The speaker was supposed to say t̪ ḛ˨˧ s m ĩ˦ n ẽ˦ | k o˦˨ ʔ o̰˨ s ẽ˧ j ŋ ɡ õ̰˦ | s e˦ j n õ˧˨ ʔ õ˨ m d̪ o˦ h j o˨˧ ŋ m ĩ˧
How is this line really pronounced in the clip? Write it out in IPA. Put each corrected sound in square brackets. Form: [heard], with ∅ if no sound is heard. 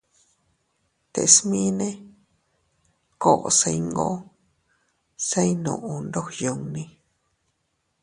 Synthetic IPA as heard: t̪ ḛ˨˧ s m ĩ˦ n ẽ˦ | k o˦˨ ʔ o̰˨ s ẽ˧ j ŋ ɡ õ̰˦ | s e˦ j n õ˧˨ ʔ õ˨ [n] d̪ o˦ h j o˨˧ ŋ [n] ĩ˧